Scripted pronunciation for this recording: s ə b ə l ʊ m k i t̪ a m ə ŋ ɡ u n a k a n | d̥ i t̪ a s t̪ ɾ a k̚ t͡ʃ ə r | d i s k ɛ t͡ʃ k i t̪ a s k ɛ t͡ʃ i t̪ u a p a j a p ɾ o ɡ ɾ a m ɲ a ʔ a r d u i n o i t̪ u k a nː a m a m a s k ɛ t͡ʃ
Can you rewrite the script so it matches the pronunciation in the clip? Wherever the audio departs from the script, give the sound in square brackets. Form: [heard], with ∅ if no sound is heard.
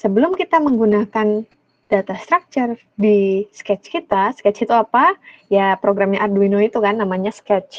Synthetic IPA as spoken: s ə b ə l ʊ m k i t̪ a m ə ŋ ɡ u n a k a n | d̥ [a] t̪ a s t̪ ɾ a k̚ t͡ʃ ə r | d i s k ɛ t͡ʃ k i t̪ a s k ɛ t͡ʃ i t̪ u a p a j a p ɾ o ɡ ɾ a m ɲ a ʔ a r d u i n o i t̪ u k a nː a m a [ɲ] a s k ɛ t͡ʃ

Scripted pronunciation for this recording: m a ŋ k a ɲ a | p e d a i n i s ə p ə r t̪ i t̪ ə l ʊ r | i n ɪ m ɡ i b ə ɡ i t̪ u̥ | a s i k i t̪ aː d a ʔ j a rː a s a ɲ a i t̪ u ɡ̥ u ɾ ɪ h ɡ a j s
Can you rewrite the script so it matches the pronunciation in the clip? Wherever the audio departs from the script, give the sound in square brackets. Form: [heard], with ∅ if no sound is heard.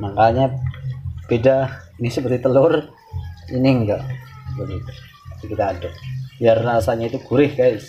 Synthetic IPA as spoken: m a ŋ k a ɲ a | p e d a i n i s ə p ə r t̪ i t̪ ə l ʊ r | i n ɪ [ŋ] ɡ [a] b ə ɡ i t̪ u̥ | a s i k i t̪ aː d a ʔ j a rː a s a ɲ a i t̪ u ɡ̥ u ɾ ɪ h ɡ a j s

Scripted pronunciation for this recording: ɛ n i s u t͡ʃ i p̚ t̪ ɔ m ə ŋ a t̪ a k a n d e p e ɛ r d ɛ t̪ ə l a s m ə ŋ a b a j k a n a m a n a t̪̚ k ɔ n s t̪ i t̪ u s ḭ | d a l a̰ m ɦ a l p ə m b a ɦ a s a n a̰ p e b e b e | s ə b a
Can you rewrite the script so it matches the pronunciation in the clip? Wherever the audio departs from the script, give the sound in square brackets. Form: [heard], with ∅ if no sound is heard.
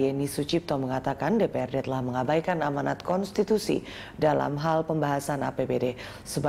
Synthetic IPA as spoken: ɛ n i s u t͡ʃ i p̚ t̪ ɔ m ə ŋ a t̪ a k a n d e p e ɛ r d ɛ t̪ ə l a [h] m ə ŋ a b a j k a n a m a n a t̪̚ k ɔ n s t̪ i t̪ u s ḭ | d a l a̰ m ɦ a l p ə m b a ɦ a s a n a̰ p e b e [d] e | s ə b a

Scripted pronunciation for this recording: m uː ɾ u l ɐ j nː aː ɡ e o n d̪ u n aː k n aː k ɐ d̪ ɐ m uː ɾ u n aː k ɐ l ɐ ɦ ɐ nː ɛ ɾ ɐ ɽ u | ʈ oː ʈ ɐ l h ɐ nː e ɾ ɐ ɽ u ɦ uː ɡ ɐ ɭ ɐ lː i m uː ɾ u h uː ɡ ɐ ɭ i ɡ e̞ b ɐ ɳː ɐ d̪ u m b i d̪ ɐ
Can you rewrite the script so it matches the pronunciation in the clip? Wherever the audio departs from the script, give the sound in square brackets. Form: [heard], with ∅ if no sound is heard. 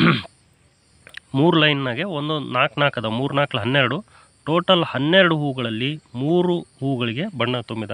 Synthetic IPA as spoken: m uː ɾ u l ɐ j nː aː ɡ e o n d̪ u n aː k n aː k ɐ d̪ ɐ m uː ɾ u n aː k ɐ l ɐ ɦ ɐ nː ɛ ɾ ɐ ɽ u | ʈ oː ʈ ɐ l h ɐ nː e ɾ ɐ ɽ u ɦ uː ɡ ɐ ɭ ɐ lː i m uː ɾ u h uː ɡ ɐ ɭ i ɡ e̞ b ɐ ɳː ɐ [t̪] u m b i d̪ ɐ

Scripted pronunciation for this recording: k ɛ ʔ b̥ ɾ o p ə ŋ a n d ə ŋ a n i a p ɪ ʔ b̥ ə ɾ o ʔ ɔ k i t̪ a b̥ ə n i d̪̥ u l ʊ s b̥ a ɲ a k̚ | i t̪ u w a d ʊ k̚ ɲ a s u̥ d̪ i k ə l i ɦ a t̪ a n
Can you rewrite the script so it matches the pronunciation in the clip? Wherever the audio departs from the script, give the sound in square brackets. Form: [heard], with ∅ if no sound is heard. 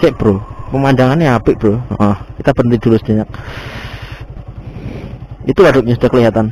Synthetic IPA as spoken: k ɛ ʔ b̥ ɾ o p ə [m] a n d [a] ŋ a n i a p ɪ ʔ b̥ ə ɾ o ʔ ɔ k i t̪ a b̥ ə n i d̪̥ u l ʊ s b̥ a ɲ a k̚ | i t̪ u w a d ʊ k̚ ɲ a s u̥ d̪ [a] k ə l i ɦ a t̪ a n

